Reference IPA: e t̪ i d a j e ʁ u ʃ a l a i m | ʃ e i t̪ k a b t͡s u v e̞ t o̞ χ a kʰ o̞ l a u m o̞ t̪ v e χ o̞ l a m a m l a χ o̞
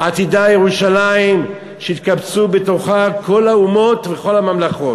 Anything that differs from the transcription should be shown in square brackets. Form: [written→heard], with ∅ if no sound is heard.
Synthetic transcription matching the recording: [e→a] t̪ i d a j e ʁ u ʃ a l a i m | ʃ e i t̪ k a b t͡s u [v→b] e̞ t o̞ χ a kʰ o̞ l a u m o̞ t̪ v e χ o̞ l a m a m l a χ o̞